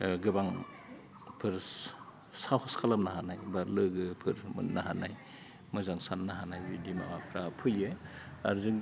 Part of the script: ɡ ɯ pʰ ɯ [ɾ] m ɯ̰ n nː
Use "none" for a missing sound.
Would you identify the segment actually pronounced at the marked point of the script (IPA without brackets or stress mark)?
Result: ɾ